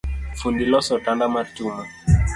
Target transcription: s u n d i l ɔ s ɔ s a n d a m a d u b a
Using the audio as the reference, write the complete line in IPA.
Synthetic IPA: f u n d i l ɔ s ɔ t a n d a m a t u m a